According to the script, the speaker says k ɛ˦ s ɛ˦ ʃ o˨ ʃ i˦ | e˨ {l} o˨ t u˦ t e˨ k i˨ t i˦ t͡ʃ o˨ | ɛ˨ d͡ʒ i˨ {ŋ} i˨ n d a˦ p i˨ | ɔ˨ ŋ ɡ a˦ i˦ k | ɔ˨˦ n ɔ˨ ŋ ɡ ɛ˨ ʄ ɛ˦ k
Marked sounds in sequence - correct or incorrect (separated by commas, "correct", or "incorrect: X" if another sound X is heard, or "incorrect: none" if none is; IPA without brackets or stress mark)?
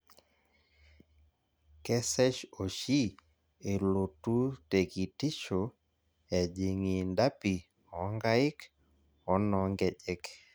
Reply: correct, correct